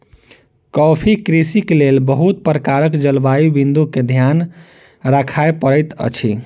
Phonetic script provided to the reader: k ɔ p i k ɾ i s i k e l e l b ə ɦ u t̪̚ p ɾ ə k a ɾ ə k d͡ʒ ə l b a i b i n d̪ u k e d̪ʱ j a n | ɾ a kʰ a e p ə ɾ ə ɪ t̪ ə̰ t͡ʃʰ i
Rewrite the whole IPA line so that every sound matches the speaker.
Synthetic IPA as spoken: k ɔ pʰ i k ɾ i s i k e l e l b ə ɦ u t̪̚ p ɾ ə k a ɾ ə k d͡ʒ ə l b a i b i n d̪ u k e d̪ʱ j a n | ɾ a kʰ a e p ə ɾ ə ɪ t̪ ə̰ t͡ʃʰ i

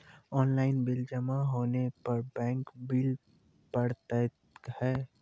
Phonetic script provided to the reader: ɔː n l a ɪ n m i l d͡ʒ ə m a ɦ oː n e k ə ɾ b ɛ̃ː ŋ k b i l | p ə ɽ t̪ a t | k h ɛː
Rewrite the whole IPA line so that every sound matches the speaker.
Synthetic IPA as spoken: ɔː n l a ɪ n b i l d͡ʒ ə m a ɦ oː n e p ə ɾ b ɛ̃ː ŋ k b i l | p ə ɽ t̪ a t | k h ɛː

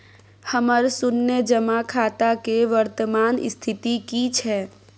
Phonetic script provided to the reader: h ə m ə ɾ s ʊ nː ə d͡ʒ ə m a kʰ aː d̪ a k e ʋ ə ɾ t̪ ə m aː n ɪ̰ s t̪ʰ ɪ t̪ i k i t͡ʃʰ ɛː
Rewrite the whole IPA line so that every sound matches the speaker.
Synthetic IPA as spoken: h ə m ə ɾ s ʊ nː ə d͡ʒ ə m a kʰ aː t̪ a k e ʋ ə ɾ t̪ ə m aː n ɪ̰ s t̪ʰ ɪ t̪ i k i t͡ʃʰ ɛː

